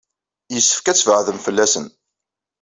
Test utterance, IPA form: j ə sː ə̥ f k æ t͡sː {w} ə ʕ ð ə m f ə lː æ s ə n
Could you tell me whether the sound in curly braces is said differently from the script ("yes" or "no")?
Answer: yes